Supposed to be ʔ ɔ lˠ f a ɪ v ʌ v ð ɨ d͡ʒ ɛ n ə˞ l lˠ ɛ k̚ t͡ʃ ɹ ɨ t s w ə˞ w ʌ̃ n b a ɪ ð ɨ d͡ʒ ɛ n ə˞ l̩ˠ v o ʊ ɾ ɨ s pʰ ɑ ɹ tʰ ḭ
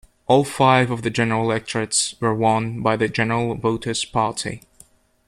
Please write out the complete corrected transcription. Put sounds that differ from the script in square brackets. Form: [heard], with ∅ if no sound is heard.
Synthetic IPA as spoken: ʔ ɔ lˠ f a ɪ v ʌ v ð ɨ d͡ʒ ɛ n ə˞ l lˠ ɛ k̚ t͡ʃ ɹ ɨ t s w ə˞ w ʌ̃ n b a ɪ ð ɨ d͡ʒ ɛ n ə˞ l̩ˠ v o ʊ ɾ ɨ s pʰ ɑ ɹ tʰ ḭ